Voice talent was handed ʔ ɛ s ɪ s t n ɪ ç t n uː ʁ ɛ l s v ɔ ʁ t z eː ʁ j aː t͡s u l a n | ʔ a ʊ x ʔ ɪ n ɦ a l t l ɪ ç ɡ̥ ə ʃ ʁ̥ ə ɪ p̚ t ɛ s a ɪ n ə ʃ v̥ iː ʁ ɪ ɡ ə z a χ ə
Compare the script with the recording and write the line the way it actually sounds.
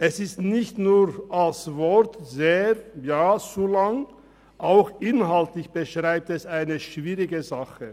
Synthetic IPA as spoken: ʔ ɛ s ɪ s t n ɪ ç t n uː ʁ a l s v ɔ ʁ t z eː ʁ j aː t͡s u l a ŋ | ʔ a ʊ x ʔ ɪ n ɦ a l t l ɪ ç b̥ ə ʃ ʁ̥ a ɪ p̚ t ɛ s a ɪ n ə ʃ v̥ iː ʁ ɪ ɡ ə z a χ ə